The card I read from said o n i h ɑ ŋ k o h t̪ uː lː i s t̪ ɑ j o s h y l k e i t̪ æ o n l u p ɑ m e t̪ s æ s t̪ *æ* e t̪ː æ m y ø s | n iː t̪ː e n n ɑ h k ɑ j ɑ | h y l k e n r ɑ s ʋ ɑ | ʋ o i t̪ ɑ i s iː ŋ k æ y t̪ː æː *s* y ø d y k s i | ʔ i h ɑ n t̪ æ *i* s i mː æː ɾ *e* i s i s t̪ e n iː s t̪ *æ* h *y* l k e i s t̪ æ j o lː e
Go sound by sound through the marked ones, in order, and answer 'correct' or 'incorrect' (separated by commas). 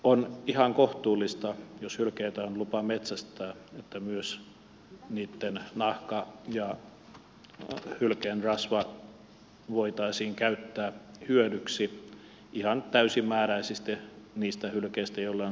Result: incorrect, incorrect, incorrect, incorrect, correct, correct